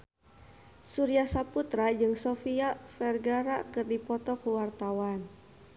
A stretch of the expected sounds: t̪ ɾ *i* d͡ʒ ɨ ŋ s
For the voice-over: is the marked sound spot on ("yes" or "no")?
no